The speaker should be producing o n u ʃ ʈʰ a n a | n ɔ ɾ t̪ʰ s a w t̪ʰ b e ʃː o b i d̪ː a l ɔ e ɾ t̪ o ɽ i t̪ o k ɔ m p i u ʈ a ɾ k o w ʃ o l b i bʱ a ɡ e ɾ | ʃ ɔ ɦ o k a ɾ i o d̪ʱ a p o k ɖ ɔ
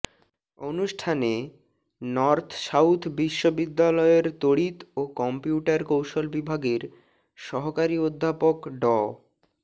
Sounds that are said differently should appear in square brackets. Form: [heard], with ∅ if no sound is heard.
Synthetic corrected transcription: o n u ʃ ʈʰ a n [e] | n ɔ ɾ t̪ʰ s a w t̪ʰ b [i] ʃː o b i d̪ː a l ɔ e ɾ t̪ o ɽ i t̪ o k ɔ m p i u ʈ a ɾ k o w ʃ o l b i bʱ a ɡ e ɾ | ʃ ɔ ɦ o k a ɾ i o [d̪ʱː] a p o k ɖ ɔ